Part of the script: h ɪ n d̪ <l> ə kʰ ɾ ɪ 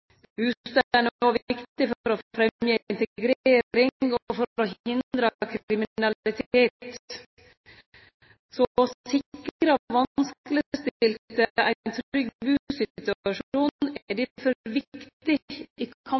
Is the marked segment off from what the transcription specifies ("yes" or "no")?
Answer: yes